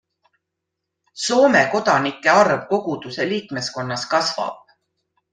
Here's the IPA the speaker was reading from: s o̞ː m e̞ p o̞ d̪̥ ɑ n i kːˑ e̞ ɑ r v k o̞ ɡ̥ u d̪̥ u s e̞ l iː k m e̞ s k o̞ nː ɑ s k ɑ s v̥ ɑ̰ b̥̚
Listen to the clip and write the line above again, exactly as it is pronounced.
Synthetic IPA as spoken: s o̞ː m e̞ k o̞ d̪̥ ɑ n i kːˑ e̞ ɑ r v k o̞ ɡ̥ u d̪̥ u s e̞ l iː k m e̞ s k o̞ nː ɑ s k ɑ s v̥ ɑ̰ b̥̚